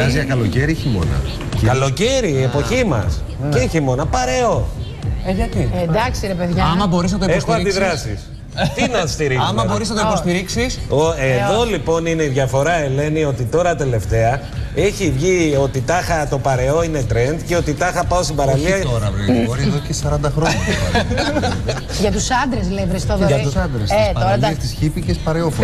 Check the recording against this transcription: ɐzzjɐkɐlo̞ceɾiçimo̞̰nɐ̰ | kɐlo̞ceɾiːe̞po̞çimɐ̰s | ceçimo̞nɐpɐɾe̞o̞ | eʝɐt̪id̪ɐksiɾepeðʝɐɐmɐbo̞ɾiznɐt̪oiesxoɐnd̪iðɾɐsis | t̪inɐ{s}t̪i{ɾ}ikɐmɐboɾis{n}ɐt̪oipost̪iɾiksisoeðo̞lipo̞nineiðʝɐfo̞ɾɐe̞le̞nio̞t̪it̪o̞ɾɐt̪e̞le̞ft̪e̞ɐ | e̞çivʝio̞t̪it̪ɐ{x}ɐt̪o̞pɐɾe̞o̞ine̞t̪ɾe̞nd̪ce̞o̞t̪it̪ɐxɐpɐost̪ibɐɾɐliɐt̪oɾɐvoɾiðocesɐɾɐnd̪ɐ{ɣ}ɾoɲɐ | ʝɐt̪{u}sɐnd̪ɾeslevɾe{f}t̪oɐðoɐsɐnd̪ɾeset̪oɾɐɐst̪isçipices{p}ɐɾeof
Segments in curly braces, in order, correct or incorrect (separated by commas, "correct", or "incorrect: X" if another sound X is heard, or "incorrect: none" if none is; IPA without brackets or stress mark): correct, correct, correct, correct, incorrect: x, correct, incorrect: s, correct